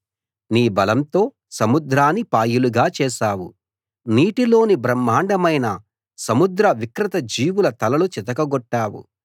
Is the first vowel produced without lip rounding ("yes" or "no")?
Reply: yes